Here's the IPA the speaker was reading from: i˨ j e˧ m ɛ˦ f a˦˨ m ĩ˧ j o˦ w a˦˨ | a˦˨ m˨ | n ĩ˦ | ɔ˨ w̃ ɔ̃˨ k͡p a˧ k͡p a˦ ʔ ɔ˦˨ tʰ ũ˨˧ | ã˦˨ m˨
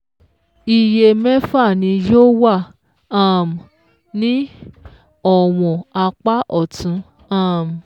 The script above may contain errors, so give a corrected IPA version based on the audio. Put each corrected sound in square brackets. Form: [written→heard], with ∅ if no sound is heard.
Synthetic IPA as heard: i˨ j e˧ m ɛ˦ f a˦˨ [m→n] ĩ˧ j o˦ w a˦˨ | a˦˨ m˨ | n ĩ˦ | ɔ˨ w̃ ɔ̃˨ [k͡p→∅] a˧ k͡p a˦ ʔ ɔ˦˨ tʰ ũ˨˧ | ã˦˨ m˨